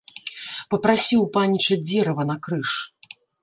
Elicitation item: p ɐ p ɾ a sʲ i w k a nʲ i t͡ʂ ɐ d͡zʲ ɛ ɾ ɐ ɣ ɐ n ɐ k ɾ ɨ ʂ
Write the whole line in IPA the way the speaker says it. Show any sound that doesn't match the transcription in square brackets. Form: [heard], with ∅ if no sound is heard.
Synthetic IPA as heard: p ɐ p ɾ a sʲ i w [p] a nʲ i t͡ʂ ɐ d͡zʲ ɛ ɾ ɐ [v] ɐ n ɐ k ɾ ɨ ʂ